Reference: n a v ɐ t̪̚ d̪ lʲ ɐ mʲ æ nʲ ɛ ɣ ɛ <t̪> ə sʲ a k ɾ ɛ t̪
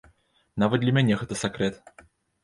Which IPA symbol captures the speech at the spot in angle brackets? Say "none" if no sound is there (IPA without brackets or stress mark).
t̪